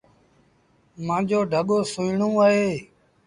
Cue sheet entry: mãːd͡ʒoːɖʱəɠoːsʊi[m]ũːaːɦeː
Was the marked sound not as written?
yes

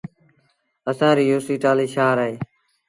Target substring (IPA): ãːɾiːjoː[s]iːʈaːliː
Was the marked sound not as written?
no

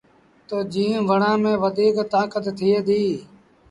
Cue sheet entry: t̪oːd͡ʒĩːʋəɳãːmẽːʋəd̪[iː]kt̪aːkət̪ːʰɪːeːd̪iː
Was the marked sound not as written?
no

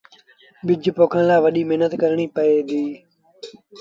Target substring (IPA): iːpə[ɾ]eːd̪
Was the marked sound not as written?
yes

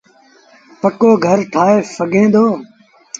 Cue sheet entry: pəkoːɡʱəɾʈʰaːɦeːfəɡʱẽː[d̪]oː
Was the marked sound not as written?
no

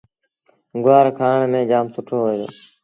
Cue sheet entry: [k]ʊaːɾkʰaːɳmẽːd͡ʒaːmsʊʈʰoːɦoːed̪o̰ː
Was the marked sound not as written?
yes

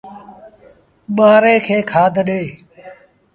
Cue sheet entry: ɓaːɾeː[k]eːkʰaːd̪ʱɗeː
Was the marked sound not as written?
yes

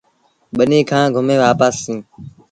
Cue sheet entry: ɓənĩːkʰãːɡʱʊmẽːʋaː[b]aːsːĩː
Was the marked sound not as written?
yes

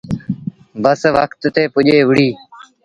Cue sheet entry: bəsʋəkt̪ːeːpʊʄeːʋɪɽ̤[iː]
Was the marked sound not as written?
no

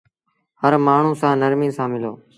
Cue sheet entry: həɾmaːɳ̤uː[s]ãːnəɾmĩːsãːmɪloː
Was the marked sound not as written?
no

